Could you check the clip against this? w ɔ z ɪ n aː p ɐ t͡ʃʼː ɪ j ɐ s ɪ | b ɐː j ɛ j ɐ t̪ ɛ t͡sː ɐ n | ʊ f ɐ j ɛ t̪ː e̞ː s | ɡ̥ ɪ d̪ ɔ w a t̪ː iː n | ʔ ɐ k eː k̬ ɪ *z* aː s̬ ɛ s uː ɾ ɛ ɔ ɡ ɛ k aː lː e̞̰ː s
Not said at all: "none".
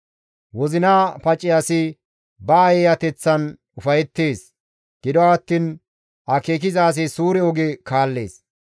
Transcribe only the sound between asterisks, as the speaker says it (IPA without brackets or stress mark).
z